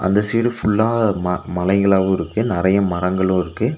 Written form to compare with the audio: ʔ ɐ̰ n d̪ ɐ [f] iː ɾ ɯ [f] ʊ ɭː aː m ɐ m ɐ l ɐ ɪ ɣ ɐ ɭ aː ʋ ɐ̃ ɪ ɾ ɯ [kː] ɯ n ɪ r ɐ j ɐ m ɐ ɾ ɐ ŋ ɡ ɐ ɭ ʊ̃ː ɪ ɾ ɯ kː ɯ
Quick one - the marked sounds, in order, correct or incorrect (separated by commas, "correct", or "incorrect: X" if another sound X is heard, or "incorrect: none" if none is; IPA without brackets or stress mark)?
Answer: incorrect: s, correct, correct